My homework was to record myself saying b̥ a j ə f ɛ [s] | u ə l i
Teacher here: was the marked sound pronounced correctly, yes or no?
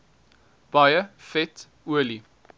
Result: no